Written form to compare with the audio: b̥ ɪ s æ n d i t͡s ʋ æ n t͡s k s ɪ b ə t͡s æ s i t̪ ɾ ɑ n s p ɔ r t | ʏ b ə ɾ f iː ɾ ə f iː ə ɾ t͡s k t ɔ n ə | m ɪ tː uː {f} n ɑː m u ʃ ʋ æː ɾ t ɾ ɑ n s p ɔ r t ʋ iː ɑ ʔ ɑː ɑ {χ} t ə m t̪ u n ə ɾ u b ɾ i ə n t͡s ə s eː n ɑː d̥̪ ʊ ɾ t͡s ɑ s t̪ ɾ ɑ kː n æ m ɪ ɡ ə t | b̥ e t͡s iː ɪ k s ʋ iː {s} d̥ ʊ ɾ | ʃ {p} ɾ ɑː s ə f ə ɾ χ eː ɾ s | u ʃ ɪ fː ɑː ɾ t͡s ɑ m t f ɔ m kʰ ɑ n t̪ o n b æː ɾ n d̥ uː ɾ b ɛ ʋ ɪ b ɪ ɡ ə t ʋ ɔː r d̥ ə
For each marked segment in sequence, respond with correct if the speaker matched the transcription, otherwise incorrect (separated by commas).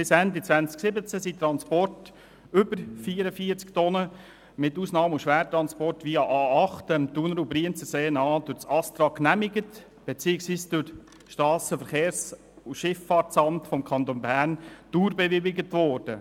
incorrect, correct, correct, incorrect